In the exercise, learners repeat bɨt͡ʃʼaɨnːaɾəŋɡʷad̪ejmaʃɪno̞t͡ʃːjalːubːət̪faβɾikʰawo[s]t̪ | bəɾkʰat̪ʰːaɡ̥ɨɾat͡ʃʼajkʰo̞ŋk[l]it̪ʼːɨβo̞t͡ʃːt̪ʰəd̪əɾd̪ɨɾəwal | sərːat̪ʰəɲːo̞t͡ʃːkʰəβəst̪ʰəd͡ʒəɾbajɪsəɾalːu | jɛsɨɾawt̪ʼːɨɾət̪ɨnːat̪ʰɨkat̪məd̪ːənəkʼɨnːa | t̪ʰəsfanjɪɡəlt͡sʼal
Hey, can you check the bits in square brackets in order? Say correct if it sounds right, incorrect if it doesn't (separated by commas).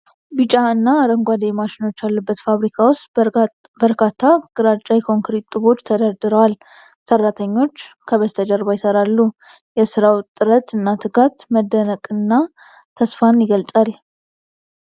correct, incorrect